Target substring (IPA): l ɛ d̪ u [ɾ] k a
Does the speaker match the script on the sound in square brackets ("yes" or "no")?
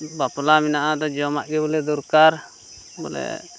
yes